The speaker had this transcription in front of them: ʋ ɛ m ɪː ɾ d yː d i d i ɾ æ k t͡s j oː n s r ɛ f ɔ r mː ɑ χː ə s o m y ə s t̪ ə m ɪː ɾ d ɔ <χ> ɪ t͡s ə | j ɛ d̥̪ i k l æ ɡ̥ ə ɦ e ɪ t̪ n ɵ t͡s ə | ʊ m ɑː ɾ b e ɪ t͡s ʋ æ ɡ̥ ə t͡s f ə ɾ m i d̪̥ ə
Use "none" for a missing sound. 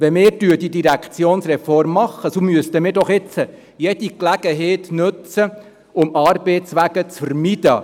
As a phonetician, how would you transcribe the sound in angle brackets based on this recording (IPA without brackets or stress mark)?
χ